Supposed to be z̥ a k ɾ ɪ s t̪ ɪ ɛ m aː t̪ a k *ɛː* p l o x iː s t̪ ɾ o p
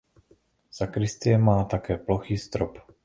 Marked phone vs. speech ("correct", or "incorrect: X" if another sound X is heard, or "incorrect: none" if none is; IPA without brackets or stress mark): correct